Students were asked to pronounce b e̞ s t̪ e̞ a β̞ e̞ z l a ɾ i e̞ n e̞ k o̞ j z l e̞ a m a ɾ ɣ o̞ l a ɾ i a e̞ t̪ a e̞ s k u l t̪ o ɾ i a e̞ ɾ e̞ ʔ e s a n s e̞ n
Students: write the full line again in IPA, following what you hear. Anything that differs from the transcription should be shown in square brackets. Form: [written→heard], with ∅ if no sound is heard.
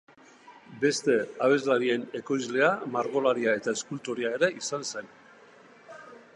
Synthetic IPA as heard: b e̞ s t̪ e̞ a β̞ e̞ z l a ɾ i e̞ n e̞ k o̞ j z l e̞ a m a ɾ ɣ o̞ l a ɾ i a e̞ t̪ a e̞ s k u l t̪ o ɾ i a e̞ ɾ e̞ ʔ [e→i] s a n s e̞ n